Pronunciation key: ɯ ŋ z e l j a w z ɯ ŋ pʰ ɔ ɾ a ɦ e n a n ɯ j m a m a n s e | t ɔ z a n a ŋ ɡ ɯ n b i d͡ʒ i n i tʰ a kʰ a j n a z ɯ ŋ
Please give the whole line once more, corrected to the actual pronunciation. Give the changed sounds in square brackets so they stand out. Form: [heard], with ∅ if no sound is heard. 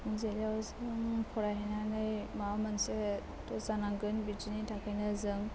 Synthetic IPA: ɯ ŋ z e l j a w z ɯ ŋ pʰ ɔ ɾ a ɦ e n a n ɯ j m a m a n s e | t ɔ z a n a ŋ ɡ ɯ n b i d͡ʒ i n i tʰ a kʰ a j n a z ɯ ŋ